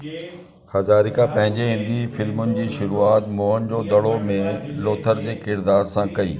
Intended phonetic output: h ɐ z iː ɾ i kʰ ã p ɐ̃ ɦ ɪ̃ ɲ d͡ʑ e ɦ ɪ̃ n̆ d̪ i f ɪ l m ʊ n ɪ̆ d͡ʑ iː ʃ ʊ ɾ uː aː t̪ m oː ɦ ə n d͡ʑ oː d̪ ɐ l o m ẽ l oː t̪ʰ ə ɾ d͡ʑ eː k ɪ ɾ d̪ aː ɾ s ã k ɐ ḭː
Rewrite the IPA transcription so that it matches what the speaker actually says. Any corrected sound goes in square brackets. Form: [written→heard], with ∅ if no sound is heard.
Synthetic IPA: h ɐ z [iː→aː] ɾ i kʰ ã p ɐ̃ ɦ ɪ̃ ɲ d͡ʑ e ɦ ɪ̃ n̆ d̪ i f ɪ l m ʊ n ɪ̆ d͡ʑ iː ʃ ʊ ɾ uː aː t̪ m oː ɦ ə n d͡ʑ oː d̪ ɐ [l→ɽ] o m ẽ l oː t̪ʰ ə ɾ d͡ʑ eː k ɪ ɾ d̪ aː ɾ s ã k ɐ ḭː